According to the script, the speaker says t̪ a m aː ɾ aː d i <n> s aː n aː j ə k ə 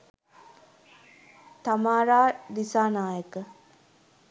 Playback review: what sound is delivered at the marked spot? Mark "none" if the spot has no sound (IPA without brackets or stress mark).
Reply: none